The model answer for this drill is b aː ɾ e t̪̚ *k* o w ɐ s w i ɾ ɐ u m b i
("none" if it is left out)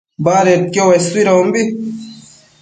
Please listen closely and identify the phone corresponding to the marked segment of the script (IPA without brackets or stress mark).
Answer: k